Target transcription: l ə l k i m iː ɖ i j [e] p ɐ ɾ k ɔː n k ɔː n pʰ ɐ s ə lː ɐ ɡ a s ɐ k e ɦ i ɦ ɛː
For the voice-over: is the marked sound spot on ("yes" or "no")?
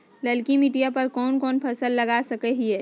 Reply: no